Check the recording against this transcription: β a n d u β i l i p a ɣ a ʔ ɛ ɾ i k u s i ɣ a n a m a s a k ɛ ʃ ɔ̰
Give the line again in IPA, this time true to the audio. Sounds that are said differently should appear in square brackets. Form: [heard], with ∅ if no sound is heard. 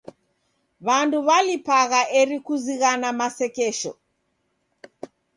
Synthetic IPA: β a n d u β [a] l i p a ɣ a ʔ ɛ ɾ i k u [z] i ɣ a n a m a s [ɛ] k ɛ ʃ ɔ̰